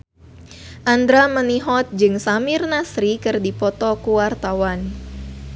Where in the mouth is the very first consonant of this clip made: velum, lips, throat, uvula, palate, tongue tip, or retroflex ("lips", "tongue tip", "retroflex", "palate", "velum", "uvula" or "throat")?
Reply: throat